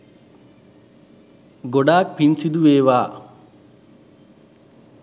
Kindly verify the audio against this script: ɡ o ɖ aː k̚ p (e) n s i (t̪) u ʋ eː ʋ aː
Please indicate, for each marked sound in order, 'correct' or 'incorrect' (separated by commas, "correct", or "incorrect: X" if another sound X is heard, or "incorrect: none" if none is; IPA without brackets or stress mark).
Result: incorrect: i, incorrect: d̪